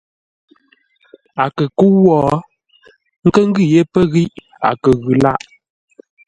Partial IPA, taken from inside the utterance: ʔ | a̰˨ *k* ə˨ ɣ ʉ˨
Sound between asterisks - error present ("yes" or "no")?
no